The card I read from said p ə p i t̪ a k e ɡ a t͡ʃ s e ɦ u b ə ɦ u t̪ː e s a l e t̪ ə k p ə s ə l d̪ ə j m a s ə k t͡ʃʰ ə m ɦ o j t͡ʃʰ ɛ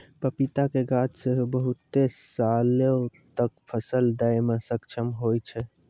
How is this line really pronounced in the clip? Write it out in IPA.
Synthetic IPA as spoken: p ə p i t̪ a k e ɡ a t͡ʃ s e ɦ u b ə ɦ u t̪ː e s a l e t̪ ə k pʰ ə s ə l d̪ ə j m e s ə k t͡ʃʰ ə m ɦ o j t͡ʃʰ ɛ